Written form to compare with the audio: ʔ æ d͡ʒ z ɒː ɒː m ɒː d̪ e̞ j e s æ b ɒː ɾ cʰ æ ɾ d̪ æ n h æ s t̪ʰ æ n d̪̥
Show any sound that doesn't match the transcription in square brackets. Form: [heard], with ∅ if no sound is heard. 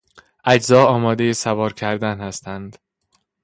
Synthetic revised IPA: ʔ æ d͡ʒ z ɒː ɒː m ɒː d̪ e̞ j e s æ [v] ɒː ɾ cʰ æ ɾ d̪ æ n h æ s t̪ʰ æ n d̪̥